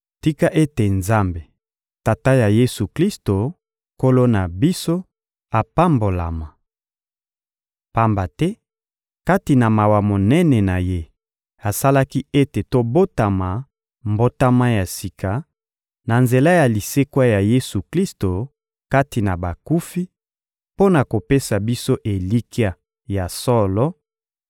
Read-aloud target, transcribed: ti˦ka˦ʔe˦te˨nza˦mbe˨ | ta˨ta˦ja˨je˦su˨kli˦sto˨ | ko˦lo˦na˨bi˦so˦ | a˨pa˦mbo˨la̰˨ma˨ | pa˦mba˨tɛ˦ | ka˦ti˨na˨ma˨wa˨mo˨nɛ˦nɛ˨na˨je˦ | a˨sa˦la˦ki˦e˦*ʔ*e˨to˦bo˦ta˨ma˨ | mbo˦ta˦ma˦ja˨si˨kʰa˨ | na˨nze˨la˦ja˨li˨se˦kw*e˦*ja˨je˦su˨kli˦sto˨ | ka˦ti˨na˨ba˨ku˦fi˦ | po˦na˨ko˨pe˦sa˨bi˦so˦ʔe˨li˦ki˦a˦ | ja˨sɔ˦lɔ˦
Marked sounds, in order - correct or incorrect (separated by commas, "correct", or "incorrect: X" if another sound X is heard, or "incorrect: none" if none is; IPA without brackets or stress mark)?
incorrect: t, incorrect: a˦